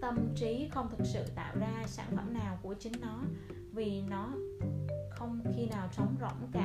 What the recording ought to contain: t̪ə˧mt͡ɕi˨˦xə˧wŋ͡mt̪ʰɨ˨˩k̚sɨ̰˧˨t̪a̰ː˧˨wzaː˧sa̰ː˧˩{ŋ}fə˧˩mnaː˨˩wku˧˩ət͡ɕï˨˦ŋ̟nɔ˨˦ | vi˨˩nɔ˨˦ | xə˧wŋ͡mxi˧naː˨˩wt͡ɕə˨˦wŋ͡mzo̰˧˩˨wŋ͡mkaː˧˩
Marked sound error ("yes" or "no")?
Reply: yes